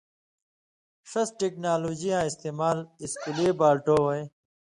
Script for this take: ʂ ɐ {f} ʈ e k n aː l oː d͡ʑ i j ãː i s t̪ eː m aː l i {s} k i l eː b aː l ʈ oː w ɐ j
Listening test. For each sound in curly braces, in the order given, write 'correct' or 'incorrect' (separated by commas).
incorrect, correct